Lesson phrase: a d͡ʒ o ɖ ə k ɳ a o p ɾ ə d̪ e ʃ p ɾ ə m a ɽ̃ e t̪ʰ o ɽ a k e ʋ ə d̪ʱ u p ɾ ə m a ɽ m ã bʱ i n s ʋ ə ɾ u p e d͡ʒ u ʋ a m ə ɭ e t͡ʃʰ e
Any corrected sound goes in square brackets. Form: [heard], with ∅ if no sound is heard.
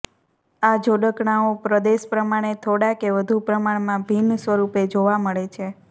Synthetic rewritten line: a d͡ʒ o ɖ ə k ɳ a o p ɾ ə d̪ e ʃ p ɾ ə m a ɽ̃ e t̪ʰ o ɽ a k e ʋ ə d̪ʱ u p ɾ ə m a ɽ m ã bʱ i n s ʋ ə ɾ u p e d͡ʒ [o] ʋ a m ə ɭ e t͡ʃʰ e